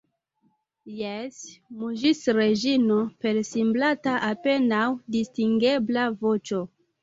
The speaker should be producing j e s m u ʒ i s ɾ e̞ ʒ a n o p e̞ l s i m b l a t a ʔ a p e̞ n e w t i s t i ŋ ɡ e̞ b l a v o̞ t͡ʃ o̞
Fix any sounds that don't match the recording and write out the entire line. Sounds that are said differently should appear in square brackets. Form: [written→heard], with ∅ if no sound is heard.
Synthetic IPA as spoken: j e s m u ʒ i s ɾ e̞ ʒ [a→i] n o p e̞ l s i m b l a t a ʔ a p e̞ n [e→a] w [t→d] i s t i ŋ ɡ e̞ b l a v o̞ t͡ʃ o̞